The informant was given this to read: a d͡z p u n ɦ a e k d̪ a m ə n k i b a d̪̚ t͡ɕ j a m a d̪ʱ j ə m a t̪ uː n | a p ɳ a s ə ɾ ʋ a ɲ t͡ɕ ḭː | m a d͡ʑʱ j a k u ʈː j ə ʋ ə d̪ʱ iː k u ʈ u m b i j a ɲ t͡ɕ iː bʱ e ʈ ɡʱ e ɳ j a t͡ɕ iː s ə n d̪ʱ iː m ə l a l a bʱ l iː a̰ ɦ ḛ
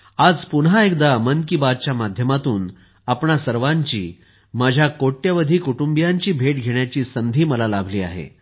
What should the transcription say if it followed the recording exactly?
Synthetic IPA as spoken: a d͡z p u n ɦ a e k d̪ a m ə n k i b a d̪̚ t͡ɕ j a m a d̪ʱ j ə m a t̪ uː n | a p ɳ a s ə ɾ ʋ a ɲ t͡ɕ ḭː | m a d͡ʑʱ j a k o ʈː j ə ʋ ə d̪ʱ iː k u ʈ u m b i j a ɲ t͡ɕ iː bʱ e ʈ ɡʱ e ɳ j a t͡ɕ iː s ə n d̪ʱ iː m ə l a l a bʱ l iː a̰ ɦ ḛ